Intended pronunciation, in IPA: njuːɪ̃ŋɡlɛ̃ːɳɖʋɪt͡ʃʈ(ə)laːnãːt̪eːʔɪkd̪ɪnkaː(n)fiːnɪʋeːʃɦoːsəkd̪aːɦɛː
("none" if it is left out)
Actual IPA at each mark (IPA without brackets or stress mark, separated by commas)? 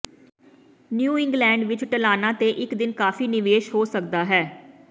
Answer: ə, none